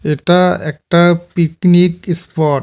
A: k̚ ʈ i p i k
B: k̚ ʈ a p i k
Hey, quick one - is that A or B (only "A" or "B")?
B